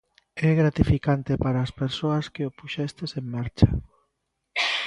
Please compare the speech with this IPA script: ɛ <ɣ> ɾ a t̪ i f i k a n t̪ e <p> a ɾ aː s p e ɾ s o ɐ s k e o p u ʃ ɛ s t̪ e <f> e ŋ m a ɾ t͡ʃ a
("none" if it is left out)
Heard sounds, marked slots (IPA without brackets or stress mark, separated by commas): ɣ, p, s